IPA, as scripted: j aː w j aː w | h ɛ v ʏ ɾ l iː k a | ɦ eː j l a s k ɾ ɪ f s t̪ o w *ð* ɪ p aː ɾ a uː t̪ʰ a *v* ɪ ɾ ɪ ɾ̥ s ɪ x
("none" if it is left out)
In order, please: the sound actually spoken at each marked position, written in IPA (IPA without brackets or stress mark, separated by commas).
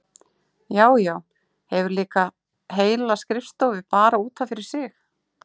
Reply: v, f